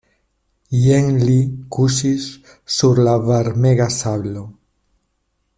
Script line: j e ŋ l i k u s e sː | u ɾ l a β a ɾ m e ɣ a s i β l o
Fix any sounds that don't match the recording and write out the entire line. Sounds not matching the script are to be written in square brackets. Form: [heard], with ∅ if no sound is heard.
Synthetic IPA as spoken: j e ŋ l i k u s [i] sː | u ɾ l a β a ɾ m e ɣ a s [a] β l o